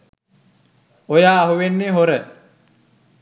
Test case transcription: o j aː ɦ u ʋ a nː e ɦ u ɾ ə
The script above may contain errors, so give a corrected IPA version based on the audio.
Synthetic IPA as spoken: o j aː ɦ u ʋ e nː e ɦ o ɾ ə